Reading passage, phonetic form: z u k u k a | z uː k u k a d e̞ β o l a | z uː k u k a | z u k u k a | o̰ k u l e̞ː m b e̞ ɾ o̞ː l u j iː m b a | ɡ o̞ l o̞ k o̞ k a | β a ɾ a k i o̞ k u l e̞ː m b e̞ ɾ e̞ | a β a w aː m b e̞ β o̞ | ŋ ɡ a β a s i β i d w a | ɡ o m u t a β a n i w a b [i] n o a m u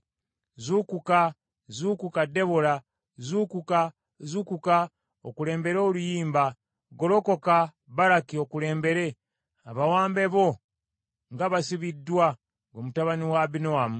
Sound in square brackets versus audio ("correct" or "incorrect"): correct